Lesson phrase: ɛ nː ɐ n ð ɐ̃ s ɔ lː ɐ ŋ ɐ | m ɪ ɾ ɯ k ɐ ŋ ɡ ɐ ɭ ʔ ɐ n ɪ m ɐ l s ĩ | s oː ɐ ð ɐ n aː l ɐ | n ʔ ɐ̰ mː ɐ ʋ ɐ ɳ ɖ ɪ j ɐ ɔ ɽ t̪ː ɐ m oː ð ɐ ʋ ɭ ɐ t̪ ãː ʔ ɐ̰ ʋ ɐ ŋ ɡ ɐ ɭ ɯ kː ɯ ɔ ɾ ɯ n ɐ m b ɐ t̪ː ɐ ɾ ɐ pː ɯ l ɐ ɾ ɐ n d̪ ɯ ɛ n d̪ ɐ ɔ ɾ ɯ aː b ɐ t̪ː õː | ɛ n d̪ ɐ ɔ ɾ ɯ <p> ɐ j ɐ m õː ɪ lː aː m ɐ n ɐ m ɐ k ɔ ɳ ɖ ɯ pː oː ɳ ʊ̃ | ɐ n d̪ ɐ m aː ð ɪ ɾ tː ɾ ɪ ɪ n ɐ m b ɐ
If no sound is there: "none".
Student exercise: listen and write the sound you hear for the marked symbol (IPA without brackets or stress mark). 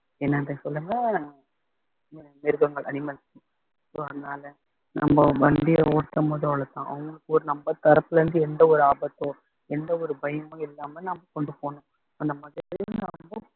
b